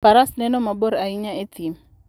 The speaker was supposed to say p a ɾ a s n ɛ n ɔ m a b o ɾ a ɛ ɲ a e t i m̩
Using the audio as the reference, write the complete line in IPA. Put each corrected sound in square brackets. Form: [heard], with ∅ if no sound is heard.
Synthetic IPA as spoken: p a ɾ a s n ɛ n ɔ m a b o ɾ a [i] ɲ a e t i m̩